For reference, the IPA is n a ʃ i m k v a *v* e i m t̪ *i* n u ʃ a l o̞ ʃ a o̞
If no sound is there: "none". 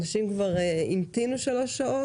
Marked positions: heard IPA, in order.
ʁ, i

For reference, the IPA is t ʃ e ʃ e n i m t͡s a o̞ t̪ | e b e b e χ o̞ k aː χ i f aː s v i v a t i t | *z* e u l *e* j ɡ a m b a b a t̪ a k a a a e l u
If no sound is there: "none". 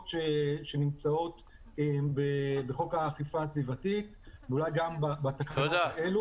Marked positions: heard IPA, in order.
v, a

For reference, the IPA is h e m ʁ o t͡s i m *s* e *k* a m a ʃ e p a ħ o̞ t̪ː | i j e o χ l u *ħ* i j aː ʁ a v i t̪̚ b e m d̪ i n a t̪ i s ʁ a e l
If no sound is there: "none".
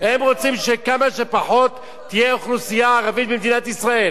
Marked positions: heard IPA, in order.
ʃ, k, s

